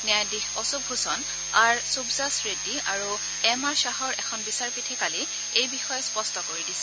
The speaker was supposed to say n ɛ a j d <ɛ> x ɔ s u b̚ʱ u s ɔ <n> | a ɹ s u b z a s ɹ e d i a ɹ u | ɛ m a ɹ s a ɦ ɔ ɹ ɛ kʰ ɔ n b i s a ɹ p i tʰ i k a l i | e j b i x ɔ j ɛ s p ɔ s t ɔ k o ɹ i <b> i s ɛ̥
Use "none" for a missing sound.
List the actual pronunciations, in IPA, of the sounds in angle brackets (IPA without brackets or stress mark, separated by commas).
i, n, d